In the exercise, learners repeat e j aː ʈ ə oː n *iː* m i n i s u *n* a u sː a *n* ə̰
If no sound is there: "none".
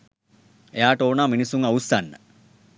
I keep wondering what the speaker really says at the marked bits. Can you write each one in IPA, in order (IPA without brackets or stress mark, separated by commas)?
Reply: aː, ŋ, nː